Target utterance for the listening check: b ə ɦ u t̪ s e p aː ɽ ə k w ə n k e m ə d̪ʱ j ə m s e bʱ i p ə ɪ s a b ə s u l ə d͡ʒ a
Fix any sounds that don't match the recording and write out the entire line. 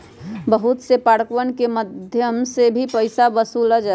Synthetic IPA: b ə ɦ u t̪ s e p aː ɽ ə k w ə n k e m ə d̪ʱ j ə m s e bʱ i p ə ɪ s a b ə s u l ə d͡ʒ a